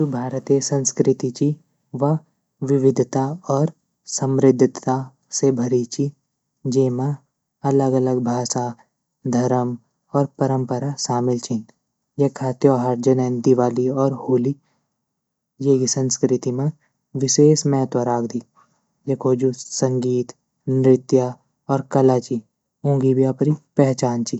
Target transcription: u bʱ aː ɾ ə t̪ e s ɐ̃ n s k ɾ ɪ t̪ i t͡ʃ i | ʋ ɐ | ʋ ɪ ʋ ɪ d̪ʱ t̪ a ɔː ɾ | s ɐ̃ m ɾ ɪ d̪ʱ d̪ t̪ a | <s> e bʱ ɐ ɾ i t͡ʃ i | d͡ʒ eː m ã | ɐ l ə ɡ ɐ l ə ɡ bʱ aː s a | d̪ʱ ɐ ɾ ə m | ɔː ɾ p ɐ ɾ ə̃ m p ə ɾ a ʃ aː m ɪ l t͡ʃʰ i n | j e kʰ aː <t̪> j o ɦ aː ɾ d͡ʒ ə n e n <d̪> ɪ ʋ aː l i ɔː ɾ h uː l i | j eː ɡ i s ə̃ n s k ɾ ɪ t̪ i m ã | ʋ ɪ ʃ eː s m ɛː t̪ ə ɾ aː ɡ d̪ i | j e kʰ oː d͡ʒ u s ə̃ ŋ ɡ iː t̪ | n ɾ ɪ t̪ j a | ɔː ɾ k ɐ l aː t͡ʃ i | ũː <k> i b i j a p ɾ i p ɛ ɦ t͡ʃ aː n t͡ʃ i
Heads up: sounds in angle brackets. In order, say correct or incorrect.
correct, correct, correct, incorrect

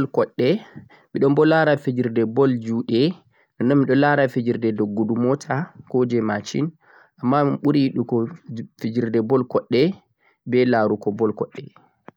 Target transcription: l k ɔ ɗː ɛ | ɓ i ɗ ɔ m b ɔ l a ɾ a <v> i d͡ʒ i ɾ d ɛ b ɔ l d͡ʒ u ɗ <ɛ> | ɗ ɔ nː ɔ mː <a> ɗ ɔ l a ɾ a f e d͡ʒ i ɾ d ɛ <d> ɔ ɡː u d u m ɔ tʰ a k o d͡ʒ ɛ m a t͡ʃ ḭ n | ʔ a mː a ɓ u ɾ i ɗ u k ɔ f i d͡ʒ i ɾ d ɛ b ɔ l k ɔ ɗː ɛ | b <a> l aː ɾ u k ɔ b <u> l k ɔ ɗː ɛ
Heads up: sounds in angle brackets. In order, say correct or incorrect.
incorrect, correct, incorrect, correct, incorrect, incorrect

